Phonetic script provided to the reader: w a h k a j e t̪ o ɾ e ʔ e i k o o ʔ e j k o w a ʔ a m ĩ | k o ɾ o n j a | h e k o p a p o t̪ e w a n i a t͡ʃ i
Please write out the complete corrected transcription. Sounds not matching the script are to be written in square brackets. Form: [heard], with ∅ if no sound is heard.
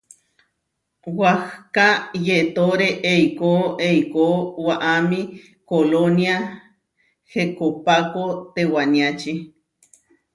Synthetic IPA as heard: w a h k a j e t̪ o ɾ e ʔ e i k o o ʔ e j k o w a ʔ a m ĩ | k o [l] o n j a | h e k o p a [k] o t̪ e w a n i a t͡ʃ i

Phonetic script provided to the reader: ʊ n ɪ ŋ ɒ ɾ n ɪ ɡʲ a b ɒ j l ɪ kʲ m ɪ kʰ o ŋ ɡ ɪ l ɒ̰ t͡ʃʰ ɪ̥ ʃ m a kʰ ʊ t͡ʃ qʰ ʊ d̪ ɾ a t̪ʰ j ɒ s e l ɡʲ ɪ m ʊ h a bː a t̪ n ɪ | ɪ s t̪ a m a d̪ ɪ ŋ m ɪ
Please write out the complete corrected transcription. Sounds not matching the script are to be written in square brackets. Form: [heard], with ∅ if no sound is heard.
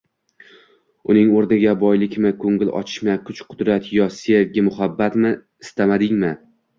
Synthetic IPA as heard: ʊ n ɪ ŋ [o] ɾ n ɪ ɡʲ a b ɒ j l ɪ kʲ m ɪ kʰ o ŋ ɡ ɪ l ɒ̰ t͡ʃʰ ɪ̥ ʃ m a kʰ ʊ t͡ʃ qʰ ʊ d̪ ɾ a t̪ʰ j ɒ s e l ɡʲ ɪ m ʊ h a bː a t̪ [m] ɪ | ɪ s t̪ a m a d̪ ɪ ŋ m ɪ

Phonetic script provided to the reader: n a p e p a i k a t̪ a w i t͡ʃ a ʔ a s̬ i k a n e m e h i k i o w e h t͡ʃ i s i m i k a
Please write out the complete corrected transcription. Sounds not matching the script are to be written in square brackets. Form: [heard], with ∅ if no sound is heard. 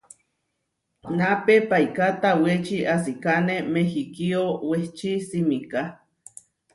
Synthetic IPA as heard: n a p e p a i k a t̪ a w [e] t͡ʃ [i] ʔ a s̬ i k a n e m e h i k i o w e h t͡ʃ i s i m i k a

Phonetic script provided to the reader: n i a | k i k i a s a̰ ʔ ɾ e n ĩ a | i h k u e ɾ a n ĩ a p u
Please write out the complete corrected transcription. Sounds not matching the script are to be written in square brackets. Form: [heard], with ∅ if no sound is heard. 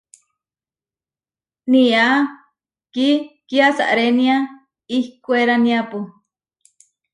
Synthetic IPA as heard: n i a | k i k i a s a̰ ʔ ɾ e n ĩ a | i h k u e ɾ a n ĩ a p u

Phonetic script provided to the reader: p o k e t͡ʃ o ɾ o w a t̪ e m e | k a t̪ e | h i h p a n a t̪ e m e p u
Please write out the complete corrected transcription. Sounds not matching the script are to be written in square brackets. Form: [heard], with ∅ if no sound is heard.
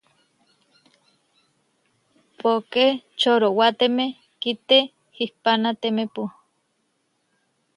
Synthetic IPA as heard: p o k e t͡ʃ o ɾ o w a t̪ e m e | k [i] t̪ e | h i h p a n a t̪ e m e p u

